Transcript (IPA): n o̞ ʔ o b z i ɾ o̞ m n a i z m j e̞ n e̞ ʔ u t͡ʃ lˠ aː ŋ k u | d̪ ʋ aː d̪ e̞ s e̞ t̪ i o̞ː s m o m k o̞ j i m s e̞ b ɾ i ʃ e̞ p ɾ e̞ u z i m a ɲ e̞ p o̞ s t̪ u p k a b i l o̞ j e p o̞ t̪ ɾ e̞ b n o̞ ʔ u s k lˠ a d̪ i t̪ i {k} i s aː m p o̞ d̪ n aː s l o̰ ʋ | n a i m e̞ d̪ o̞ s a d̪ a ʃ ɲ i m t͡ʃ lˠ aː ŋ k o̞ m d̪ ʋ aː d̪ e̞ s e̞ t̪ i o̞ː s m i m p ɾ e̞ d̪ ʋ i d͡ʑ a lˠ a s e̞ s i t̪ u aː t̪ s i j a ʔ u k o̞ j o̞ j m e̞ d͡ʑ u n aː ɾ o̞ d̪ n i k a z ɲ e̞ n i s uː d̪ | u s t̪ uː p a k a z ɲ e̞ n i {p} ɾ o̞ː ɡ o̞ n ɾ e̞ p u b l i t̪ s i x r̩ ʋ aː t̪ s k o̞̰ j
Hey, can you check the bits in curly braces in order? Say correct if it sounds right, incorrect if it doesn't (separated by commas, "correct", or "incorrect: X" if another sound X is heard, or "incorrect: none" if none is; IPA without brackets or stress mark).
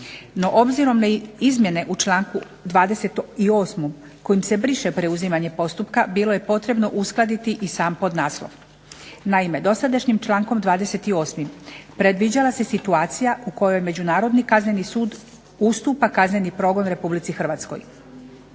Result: incorrect: ʔ, correct